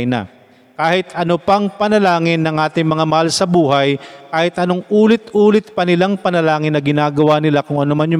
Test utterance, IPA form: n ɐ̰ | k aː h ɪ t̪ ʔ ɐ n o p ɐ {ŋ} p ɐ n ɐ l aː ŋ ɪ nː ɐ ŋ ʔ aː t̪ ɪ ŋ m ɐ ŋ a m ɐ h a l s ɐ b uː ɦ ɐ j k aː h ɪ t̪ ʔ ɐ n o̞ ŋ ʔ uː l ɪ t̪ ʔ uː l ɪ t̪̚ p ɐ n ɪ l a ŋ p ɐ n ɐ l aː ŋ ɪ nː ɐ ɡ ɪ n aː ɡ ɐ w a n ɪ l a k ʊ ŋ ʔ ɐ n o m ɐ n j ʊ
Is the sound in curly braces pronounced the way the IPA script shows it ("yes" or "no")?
yes